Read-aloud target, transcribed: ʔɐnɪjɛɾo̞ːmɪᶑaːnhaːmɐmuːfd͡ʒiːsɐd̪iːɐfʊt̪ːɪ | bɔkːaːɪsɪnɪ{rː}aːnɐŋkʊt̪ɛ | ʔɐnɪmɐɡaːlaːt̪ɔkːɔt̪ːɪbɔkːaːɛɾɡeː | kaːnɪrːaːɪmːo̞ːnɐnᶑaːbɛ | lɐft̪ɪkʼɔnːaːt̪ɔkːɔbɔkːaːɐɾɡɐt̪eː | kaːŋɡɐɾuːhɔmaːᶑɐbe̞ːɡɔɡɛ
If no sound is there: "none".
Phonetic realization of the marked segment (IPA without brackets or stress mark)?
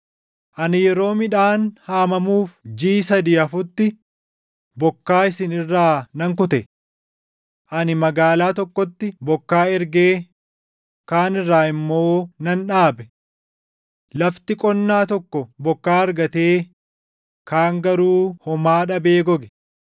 rː